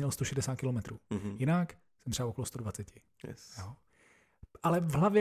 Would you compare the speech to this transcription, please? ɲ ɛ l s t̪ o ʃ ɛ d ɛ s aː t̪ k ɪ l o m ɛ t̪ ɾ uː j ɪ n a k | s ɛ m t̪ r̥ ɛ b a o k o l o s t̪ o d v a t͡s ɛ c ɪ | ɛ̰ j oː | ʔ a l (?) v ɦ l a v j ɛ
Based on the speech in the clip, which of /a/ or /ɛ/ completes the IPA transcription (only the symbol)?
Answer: ɛ